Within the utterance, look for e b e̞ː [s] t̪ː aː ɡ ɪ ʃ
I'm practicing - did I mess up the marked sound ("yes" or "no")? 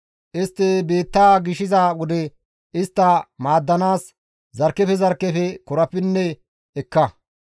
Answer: yes